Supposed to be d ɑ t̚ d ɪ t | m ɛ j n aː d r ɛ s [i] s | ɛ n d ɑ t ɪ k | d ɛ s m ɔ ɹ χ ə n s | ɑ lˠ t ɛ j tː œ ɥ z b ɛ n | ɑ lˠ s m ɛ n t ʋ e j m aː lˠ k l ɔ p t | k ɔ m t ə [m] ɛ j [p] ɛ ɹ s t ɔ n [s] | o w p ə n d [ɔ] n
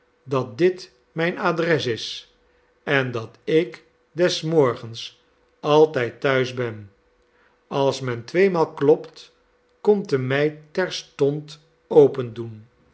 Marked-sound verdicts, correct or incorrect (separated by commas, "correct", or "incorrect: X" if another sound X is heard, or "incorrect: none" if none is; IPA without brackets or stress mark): incorrect: ɪ, correct, incorrect: t, incorrect: t, incorrect: u